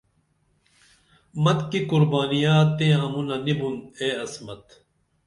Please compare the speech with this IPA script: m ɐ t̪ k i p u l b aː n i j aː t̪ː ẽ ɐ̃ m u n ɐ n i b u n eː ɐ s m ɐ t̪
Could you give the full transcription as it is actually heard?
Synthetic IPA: m ɐ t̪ k i k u ɾ b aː n i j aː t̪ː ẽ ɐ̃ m u n ɐ n i b u n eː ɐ s m ɐ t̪